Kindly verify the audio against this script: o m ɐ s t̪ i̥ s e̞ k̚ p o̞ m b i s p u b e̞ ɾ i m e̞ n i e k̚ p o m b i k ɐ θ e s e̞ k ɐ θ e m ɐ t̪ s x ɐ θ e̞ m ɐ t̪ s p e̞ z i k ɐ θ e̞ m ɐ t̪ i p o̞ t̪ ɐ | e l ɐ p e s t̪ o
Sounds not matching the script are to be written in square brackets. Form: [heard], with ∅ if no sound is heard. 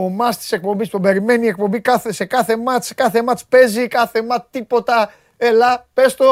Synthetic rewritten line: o m ɐ s t̪ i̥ s e̞ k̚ p o̞ m b i s p u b e̞ ɾ i m e̞ n i e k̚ p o m b i k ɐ θ e s e̞ k ɐ θ e m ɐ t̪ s [k] ɐ θ e̞ m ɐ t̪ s p e̞ z i k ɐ θ e̞ m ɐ t̪ i p o̞ t̪ ɐ | e l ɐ p e s t̪ o